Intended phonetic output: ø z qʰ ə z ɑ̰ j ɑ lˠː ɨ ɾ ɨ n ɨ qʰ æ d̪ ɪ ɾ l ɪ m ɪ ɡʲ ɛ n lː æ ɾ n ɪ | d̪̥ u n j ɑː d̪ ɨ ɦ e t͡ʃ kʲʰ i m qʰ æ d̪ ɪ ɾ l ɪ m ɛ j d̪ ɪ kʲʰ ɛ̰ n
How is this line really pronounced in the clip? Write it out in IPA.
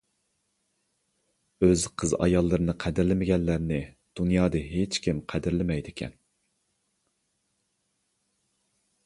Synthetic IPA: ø z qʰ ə z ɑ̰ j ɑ lˠː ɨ ɾ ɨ n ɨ qʰ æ d̪ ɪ ɾ l ɪ m ɪ ɡʲ ɛ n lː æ ɾ n ɪ | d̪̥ u n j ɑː d̪ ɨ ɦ e t͡ʃ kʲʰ i m qʰ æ d̪ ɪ ɾ l ɪ m ɛ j d̪ ɪ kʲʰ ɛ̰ n